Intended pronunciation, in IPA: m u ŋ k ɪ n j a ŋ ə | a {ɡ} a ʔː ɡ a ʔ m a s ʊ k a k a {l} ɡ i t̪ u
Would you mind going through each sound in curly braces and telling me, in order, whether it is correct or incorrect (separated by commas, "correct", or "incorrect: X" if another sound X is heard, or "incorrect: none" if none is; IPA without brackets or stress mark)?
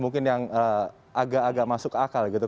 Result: correct, correct